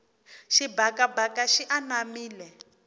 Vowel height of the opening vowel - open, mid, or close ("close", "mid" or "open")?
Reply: close